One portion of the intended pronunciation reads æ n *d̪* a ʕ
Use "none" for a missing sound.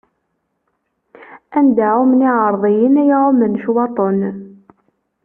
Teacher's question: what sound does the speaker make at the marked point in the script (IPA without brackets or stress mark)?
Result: d̪